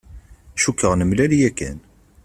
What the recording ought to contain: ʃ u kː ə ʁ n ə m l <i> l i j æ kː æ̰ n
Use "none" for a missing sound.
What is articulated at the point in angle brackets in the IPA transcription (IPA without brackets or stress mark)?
æ